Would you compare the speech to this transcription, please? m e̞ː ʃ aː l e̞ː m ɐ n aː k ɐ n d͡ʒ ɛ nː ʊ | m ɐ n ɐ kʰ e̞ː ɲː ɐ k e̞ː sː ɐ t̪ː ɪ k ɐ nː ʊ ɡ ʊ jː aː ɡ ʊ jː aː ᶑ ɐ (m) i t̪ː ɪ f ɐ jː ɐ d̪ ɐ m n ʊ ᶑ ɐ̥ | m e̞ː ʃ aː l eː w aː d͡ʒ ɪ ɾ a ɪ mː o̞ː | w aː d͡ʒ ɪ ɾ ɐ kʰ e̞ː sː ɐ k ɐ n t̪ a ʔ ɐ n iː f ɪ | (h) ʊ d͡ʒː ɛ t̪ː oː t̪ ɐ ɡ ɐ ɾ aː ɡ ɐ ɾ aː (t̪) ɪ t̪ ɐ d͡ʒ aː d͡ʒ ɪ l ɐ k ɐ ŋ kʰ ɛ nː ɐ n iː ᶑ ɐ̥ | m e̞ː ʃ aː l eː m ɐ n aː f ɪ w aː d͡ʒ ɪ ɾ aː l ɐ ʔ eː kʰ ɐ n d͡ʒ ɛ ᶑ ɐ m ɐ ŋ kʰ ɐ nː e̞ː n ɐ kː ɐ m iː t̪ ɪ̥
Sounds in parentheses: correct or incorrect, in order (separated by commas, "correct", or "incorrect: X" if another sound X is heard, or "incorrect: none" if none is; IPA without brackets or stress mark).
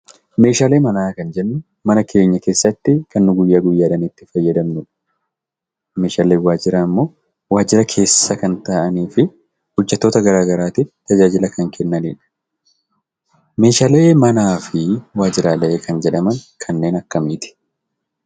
incorrect: n, correct, correct